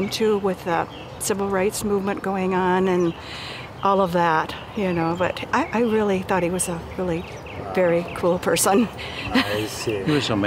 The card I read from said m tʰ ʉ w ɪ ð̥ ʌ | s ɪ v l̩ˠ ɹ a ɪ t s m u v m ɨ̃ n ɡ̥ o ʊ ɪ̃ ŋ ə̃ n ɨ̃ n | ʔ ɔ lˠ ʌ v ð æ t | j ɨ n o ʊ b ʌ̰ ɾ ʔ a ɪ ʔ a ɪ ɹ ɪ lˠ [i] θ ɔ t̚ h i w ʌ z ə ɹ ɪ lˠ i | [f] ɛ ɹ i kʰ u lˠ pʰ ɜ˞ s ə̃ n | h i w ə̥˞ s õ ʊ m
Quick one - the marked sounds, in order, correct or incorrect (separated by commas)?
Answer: correct, incorrect